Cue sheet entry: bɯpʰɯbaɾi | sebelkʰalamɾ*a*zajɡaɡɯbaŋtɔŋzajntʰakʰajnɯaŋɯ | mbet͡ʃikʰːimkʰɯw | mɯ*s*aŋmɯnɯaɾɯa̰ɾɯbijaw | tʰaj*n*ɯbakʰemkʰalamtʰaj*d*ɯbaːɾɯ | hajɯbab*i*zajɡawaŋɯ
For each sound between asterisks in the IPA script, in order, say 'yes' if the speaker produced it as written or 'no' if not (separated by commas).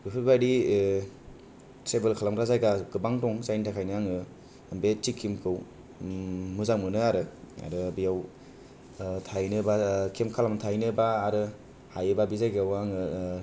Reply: yes, no, yes, no, yes